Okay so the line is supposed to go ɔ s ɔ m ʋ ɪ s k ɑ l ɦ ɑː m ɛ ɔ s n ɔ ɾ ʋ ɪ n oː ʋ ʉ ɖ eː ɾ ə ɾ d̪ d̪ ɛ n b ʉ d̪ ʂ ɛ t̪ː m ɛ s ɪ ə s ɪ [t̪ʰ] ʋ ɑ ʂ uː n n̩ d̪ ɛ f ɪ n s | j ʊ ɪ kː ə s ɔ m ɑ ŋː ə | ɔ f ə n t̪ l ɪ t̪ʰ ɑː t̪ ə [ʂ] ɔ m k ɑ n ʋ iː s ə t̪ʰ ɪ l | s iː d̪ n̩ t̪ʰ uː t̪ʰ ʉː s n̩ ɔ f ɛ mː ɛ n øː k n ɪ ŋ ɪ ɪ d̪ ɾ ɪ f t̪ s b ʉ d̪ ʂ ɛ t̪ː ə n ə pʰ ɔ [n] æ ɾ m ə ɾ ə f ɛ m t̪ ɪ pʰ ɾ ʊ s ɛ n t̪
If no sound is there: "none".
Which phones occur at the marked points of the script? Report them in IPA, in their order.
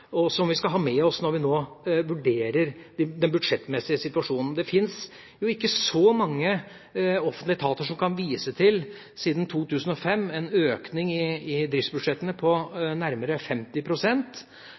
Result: t̪, ʂ, n

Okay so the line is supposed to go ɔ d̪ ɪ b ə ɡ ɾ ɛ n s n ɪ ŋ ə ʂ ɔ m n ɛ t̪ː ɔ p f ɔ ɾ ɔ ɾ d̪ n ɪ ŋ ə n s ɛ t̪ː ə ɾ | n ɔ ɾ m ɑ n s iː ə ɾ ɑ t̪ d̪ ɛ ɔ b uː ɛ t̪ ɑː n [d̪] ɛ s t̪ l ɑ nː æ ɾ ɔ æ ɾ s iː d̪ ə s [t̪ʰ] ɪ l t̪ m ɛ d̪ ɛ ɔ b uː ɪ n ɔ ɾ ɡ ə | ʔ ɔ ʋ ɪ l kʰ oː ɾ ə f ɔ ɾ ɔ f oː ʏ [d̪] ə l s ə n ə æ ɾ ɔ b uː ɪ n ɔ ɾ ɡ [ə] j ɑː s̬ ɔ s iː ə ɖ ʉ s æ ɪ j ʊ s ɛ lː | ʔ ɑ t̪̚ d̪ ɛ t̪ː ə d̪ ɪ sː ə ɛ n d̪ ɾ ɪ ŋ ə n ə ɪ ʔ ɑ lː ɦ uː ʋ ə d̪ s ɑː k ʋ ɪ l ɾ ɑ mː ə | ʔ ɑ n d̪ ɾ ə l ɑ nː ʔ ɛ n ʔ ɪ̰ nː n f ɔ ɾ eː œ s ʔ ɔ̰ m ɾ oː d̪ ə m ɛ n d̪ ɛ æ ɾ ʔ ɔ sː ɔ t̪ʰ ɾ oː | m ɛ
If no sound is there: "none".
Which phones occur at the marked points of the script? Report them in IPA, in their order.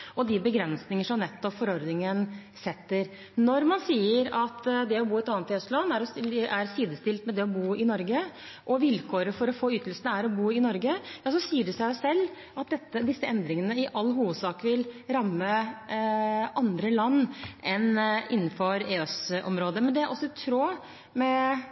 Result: t̪, t̪, t̪, ə

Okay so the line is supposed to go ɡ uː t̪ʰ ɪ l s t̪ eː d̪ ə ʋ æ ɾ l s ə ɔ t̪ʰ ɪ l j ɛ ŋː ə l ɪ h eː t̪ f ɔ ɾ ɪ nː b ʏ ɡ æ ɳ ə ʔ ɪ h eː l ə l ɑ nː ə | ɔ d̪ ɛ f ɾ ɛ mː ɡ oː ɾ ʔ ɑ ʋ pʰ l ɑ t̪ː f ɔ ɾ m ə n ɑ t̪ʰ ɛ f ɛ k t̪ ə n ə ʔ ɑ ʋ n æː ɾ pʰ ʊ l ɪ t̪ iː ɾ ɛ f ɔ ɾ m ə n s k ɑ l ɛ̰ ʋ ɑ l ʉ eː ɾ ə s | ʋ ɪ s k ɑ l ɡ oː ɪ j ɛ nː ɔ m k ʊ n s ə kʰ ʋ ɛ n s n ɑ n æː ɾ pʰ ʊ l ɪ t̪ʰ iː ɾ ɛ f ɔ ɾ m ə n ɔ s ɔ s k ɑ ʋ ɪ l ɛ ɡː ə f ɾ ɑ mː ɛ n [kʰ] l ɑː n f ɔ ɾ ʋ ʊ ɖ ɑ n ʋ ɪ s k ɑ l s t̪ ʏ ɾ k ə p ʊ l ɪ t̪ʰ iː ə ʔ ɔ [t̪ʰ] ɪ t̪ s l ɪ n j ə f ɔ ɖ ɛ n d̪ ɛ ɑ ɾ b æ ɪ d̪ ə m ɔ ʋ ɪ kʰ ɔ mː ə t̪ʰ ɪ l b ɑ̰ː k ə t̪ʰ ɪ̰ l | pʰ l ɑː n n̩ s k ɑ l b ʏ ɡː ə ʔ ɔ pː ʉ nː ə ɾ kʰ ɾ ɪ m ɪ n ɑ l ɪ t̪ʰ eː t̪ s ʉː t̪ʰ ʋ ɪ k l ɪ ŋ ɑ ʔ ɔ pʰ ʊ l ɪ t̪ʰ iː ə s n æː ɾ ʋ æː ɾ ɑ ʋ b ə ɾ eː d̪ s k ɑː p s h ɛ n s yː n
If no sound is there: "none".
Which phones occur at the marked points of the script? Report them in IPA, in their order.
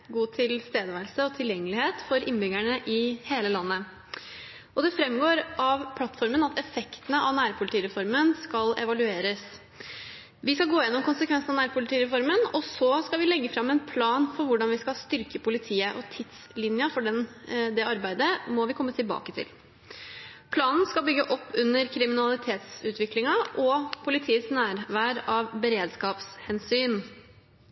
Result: pʰ, t̪ʰ

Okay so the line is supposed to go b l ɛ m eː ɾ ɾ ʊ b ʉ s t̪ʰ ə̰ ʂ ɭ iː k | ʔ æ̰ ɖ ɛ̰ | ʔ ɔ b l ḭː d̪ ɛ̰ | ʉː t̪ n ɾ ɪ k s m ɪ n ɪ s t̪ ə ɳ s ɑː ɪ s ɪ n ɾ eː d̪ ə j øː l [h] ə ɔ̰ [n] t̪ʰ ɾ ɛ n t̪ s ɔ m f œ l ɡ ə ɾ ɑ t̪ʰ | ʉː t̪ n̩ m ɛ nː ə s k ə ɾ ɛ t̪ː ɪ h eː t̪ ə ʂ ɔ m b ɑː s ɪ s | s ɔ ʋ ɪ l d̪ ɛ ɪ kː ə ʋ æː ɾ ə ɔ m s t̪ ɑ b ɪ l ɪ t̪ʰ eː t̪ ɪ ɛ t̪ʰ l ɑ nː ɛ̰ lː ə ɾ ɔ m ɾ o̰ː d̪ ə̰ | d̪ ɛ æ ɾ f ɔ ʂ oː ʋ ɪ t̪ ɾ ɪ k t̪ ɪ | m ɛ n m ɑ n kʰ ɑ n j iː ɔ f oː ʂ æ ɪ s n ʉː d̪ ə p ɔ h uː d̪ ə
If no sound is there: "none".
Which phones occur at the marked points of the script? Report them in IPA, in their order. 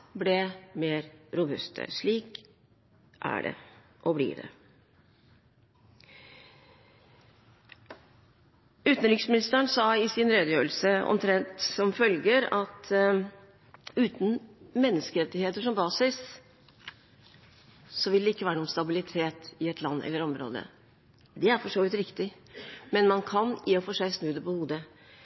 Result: s, m

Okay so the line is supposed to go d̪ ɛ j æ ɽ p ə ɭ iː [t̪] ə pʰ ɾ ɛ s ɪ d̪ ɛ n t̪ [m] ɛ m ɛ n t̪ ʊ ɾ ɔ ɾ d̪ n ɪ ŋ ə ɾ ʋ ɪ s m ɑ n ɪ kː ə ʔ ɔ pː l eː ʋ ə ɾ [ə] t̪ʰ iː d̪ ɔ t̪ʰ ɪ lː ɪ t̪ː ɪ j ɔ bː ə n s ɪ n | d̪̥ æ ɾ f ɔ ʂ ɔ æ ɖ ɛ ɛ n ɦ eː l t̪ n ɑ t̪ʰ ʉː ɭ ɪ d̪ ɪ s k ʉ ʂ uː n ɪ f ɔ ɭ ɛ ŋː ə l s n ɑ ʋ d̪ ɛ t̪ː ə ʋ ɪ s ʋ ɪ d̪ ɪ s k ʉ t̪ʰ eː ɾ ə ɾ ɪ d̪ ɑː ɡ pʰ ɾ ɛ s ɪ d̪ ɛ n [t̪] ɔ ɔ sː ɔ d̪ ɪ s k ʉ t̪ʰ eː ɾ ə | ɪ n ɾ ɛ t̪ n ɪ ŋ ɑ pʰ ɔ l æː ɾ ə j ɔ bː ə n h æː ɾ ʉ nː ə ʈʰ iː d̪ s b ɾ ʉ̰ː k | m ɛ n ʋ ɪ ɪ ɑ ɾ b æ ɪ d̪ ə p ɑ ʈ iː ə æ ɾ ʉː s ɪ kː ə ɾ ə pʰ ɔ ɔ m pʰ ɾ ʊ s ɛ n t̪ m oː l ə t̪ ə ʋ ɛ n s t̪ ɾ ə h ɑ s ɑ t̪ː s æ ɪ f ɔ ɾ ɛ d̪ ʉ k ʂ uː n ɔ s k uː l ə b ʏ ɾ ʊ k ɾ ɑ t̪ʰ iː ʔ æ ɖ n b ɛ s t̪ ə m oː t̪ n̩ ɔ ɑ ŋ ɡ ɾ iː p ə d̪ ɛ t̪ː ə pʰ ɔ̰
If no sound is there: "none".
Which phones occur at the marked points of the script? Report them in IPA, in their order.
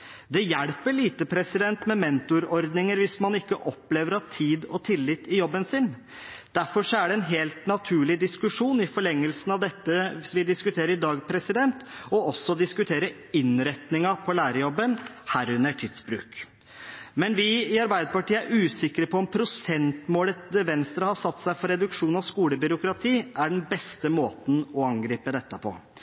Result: t̪, m, ɑ, t̪

